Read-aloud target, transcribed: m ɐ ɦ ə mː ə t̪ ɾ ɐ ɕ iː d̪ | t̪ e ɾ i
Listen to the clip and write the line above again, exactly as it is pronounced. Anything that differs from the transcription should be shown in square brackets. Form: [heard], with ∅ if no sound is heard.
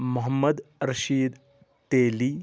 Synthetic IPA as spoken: m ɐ ɦ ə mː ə [d̪] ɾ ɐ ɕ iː d̪ | t̪ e [l] i